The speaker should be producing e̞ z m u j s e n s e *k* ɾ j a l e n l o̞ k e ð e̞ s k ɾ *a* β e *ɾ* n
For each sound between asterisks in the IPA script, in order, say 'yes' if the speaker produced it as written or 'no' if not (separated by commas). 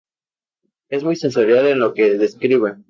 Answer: no, no, no